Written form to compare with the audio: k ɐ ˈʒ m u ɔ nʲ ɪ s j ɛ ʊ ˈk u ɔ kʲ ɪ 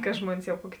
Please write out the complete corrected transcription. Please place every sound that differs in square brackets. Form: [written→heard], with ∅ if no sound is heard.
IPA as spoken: k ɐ ˈʒ m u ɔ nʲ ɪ s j ɛ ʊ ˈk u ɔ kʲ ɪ